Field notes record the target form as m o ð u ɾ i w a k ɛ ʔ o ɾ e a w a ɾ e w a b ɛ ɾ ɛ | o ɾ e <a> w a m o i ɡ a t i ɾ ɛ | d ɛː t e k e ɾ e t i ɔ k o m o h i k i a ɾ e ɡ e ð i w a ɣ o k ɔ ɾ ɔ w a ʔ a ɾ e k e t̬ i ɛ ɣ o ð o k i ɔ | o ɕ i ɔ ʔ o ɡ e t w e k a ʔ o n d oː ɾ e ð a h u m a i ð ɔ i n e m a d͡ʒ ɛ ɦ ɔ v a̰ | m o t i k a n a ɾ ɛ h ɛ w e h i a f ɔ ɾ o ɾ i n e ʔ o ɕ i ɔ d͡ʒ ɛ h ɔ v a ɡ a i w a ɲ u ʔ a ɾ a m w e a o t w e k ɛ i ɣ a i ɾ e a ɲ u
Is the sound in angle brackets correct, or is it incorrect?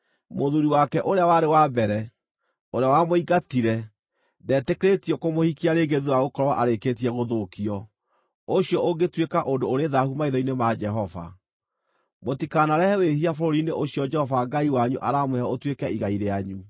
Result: correct